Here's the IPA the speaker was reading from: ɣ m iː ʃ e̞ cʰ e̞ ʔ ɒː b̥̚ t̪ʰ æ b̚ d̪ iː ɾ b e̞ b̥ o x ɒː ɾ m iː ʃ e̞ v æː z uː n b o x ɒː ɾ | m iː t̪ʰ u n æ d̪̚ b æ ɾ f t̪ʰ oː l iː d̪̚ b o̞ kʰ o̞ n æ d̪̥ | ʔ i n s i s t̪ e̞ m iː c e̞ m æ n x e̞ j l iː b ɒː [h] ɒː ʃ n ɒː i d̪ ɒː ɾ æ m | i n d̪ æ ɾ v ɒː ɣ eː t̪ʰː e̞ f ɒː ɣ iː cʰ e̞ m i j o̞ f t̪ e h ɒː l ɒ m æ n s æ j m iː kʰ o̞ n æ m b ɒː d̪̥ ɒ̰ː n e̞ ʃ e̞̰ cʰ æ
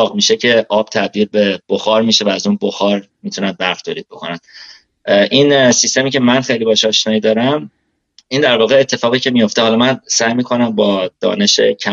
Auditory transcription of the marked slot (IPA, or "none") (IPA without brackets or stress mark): ʃ